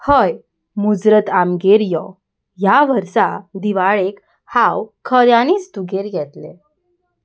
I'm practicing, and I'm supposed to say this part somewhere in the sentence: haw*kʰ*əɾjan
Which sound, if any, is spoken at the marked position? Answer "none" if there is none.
kʰ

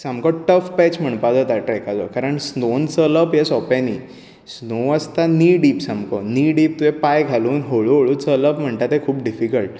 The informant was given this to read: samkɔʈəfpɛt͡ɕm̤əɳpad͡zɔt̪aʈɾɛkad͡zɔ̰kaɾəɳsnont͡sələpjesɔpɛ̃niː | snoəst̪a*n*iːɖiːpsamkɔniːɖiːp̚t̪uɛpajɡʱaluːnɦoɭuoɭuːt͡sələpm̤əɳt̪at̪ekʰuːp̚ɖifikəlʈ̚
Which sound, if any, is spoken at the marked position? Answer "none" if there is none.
n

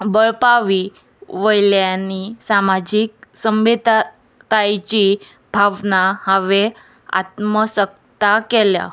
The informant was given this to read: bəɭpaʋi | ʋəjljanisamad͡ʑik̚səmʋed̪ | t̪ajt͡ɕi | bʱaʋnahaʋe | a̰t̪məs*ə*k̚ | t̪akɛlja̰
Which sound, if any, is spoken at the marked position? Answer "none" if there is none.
ə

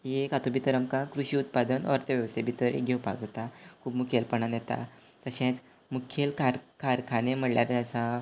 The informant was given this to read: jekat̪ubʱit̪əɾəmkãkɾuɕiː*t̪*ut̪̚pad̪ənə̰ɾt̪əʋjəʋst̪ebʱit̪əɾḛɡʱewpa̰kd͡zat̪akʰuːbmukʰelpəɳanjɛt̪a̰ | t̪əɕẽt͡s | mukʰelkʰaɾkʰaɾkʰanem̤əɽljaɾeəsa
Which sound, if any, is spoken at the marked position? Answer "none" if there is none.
none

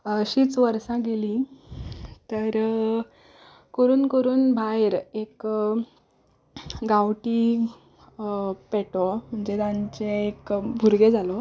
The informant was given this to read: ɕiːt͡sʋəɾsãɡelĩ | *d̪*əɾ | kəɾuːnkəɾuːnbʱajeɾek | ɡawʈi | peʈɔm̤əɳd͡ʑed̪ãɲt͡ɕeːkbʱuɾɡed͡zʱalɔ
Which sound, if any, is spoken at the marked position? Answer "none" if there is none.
t̪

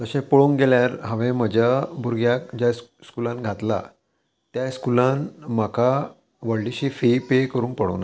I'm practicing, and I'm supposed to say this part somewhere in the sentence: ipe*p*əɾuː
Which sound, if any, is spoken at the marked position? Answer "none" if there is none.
k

